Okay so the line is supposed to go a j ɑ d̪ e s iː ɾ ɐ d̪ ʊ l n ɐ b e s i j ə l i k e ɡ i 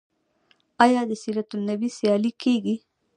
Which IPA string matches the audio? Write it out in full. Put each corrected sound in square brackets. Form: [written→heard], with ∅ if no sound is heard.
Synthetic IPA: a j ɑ d̪ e s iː ɾ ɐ [d̪→t̪] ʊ l n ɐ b [e→i] s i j [ə→ɑ] l i k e ɡ i

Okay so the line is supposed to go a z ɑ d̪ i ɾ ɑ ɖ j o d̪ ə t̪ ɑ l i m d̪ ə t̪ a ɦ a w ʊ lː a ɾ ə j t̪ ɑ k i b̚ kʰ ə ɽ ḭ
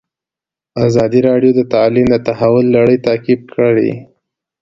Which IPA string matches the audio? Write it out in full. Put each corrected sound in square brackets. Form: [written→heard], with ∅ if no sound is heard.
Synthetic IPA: a z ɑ d̪ i ɾ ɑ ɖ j o d̪ ə t̪ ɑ l i m d̪ ə t̪ a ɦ a w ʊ lː a [ɾ→ɽ] ə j t̪ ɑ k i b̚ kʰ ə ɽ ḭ

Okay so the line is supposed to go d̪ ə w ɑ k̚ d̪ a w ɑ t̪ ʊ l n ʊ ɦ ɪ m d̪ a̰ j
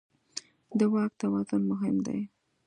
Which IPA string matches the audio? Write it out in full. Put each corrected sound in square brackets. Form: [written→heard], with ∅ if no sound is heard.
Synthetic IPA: d̪ ə w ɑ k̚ [d̪→t̪] a w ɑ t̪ ʊ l [n→m] ʊ ɦ ɪ m d̪ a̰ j

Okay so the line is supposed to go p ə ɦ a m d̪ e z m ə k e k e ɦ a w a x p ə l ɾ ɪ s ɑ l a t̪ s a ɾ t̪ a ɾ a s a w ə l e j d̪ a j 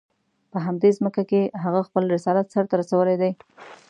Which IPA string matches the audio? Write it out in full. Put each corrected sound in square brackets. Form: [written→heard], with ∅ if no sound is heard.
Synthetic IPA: p ə ɦ a m d̪ e z m ə k [e→a] k e ɦ a [w→ɣ] a x p ə l ɾ ɪ s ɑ l a t̪ s a ɾ t̪ a ɾ a s a w ə l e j d̪ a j

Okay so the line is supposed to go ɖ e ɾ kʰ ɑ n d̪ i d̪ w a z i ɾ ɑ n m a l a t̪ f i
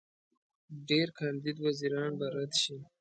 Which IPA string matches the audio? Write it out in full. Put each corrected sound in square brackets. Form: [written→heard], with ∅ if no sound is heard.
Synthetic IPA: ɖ e ɾ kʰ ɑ n d̪ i d̪ w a z i ɾ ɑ n [m→b] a [l→ɾ] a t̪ [f→ʃ] i

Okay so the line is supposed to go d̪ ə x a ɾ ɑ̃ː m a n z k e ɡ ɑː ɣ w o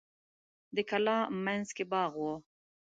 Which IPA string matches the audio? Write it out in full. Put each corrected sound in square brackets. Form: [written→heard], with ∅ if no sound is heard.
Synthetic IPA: d̪ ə [x→k] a [ɾ→l] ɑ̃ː m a n z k e [ɡ→b] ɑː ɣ w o

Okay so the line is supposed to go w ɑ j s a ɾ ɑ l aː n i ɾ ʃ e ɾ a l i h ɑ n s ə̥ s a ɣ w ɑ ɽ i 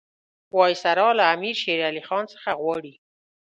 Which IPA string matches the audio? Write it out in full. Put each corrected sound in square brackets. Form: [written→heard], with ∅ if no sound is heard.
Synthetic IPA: w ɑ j s a ɾ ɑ l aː [n→m] i ɾ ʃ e ɾ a l i [h→x] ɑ n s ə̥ [s→x] a ɣ w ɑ ɽ i

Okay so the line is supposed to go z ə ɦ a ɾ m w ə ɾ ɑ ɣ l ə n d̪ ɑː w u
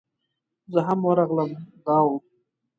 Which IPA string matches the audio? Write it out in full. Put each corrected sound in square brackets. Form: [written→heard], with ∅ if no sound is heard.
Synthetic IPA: z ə ɦ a [ɾ→∅] m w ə ɾ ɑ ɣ l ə [n→m] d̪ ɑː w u

